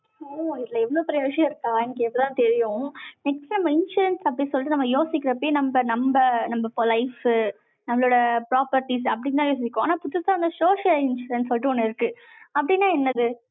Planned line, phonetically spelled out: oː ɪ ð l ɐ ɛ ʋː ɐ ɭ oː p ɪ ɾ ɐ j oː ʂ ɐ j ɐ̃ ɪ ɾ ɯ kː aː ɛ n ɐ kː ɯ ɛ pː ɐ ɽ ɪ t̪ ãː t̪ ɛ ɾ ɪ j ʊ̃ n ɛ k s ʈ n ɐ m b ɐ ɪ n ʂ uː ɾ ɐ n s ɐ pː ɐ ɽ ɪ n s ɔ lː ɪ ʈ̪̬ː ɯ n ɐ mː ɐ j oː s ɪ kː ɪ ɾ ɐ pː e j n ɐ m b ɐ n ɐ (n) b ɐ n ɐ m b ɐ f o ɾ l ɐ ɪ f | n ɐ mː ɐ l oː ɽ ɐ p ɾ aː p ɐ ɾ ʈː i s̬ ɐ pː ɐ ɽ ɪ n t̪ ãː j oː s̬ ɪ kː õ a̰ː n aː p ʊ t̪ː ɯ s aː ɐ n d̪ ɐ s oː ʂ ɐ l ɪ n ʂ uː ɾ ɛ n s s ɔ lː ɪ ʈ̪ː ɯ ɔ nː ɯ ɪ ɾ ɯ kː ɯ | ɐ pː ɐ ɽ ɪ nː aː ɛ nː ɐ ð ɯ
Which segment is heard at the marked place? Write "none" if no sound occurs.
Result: m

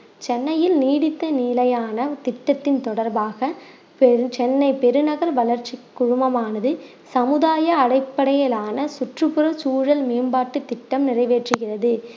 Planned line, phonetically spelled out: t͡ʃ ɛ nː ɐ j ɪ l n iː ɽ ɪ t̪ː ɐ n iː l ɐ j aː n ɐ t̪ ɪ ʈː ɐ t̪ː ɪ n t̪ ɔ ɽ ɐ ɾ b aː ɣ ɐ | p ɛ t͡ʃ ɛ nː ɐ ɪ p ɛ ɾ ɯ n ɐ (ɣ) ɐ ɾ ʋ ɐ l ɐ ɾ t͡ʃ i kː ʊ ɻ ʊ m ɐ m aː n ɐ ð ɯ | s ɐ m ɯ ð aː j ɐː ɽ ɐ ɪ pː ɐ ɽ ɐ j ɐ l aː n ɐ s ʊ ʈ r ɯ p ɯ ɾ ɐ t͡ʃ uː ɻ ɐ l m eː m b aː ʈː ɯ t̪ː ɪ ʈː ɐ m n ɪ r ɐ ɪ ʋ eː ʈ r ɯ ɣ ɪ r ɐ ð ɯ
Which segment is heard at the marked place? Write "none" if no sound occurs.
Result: ɣ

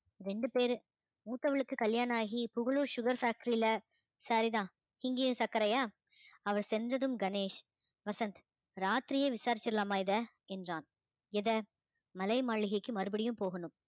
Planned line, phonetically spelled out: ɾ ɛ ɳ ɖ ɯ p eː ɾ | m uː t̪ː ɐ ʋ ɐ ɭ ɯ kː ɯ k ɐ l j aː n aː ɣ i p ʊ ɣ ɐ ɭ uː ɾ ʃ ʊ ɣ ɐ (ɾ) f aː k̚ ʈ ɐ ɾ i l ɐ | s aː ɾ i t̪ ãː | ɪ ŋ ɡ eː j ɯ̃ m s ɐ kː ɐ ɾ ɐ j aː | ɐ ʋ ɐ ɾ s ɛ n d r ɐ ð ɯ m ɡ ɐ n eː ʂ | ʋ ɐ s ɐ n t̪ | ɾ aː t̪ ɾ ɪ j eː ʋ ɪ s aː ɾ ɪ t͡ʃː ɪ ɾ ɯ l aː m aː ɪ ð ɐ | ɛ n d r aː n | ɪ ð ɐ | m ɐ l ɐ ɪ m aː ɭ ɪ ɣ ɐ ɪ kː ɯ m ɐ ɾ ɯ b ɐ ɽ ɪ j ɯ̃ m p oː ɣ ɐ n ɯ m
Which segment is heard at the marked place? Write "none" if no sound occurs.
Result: ɾ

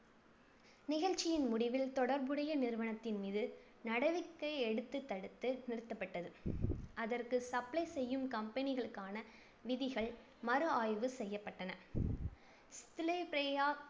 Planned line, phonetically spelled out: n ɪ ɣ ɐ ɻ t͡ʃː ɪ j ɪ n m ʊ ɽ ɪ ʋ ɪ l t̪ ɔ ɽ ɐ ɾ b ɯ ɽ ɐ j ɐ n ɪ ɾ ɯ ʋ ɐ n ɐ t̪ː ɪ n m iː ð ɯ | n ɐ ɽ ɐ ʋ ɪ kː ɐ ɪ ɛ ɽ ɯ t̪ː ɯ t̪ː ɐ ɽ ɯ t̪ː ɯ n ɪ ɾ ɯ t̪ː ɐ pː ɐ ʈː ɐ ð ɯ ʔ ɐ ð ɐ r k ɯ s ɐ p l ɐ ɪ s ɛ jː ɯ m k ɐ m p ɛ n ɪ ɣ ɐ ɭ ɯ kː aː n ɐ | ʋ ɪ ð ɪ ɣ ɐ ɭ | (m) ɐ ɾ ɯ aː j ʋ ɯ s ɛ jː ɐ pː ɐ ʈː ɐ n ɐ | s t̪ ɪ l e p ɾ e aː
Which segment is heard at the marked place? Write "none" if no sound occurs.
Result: m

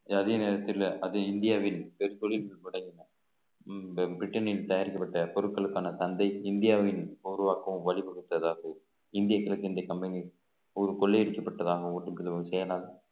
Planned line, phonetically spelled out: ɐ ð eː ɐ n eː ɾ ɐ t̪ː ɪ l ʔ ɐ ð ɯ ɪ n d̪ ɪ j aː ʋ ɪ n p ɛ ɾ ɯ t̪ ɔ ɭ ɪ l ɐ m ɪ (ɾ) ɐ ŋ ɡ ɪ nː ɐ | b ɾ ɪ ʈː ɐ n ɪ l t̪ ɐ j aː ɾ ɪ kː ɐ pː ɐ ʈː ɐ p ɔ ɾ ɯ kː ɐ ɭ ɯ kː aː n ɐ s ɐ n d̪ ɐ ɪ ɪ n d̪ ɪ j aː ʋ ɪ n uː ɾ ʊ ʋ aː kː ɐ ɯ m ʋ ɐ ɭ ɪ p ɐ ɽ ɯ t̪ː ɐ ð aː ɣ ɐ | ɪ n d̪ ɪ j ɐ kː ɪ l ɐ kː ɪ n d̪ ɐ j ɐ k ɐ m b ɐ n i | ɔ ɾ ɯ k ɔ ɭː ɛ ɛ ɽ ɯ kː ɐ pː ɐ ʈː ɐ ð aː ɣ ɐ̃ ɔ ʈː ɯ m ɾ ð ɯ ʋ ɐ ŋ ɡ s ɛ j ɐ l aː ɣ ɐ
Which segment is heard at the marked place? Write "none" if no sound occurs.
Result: ɽ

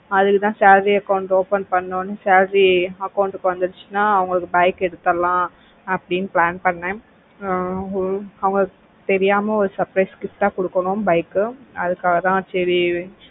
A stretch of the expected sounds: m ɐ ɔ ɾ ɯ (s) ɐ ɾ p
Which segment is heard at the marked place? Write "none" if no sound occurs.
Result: s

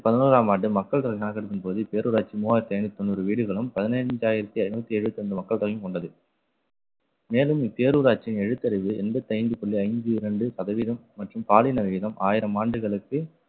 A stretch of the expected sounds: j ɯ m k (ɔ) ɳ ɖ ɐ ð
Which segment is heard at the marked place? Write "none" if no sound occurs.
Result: ɔ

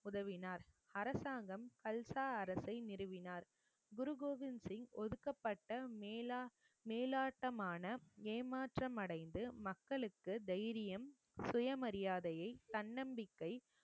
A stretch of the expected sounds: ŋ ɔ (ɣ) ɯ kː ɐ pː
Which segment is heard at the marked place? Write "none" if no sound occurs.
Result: ð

